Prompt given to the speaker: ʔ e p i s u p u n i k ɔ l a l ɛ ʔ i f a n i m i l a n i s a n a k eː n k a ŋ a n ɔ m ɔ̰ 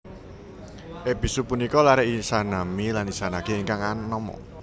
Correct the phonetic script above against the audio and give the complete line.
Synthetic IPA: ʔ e p i s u p u n i k ɔ l a ɾ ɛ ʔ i s a n a m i l a n i s a n a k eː ŋ k a ŋ a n ɔ m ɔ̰